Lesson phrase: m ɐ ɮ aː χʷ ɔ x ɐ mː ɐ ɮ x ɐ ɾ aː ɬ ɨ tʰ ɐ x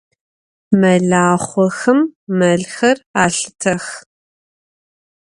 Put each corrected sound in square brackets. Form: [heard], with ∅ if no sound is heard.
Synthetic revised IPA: m ɐ ɮ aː χʷ ɔ x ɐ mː ɐ ɮ x ɐ [r] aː ɬ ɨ tʰ ɐ x